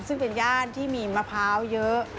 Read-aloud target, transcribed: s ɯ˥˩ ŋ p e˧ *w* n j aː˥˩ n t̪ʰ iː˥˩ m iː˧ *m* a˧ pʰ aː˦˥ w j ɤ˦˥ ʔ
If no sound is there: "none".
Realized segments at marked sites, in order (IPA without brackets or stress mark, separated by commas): none, m